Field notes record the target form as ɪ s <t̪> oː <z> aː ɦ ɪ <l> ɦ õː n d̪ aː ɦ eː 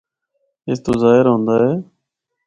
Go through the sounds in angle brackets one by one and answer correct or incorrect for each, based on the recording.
correct, correct, incorrect

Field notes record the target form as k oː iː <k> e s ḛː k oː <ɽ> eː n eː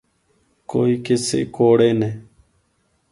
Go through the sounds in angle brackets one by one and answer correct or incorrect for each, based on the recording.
correct, correct

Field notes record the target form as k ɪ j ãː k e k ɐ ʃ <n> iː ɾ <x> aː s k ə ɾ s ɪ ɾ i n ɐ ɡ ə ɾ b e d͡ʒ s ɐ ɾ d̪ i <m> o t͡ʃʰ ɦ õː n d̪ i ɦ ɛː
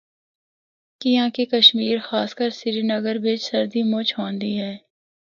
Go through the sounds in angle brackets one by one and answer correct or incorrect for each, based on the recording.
incorrect, correct, correct

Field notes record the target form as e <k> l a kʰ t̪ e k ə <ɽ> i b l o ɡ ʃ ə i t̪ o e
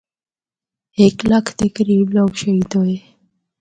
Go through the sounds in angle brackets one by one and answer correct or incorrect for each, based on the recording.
correct, incorrect

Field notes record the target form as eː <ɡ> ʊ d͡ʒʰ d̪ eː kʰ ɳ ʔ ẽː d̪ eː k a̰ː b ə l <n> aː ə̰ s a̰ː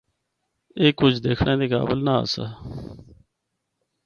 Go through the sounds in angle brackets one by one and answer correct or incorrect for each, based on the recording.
incorrect, correct

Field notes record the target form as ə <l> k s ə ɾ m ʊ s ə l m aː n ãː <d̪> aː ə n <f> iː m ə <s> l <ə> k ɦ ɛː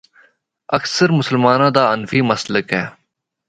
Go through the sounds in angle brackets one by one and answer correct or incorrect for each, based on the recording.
incorrect, correct, correct, correct, correct

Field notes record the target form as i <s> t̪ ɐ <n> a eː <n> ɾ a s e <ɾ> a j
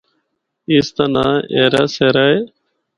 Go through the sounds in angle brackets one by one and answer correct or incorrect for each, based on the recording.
correct, correct, incorrect, correct

